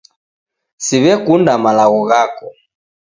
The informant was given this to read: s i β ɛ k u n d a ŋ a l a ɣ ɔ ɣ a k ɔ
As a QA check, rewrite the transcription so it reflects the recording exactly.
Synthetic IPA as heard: s i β ɛ k u n d a m a l a ɣ ɔ ɣ a k ɔ